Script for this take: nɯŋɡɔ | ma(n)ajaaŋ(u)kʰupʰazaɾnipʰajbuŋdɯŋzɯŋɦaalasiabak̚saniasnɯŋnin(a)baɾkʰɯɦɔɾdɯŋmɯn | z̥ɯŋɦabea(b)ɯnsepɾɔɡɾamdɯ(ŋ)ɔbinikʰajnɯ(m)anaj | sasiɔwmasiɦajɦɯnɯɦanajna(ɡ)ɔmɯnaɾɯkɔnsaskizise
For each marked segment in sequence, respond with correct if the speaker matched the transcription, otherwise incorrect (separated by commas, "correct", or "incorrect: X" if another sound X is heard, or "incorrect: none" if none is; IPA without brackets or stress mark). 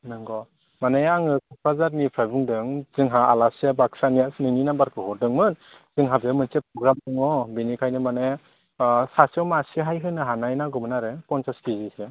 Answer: correct, incorrect: ɯ, correct, incorrect: m, correct, correct, correct